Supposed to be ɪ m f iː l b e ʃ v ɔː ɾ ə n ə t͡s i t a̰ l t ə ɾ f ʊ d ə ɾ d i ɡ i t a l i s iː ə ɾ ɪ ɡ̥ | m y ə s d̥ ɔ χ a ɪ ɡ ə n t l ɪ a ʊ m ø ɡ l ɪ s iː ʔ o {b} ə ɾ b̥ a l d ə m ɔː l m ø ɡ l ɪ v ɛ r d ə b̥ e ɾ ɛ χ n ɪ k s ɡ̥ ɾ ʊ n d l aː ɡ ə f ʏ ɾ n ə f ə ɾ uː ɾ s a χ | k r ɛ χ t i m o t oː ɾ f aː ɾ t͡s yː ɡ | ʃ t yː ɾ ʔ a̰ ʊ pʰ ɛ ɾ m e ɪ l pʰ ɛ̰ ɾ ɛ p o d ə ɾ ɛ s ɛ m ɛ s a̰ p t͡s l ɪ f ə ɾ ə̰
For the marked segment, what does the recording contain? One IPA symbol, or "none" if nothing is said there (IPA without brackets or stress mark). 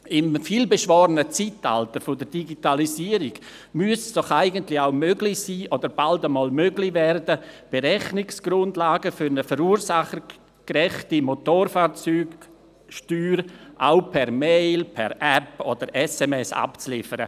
d